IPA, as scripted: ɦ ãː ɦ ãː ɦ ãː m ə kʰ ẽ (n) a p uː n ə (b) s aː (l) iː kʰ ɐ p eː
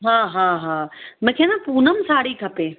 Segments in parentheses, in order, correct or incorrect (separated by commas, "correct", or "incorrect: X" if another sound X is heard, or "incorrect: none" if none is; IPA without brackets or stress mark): correct, incorrect: m, incorrect: ɽ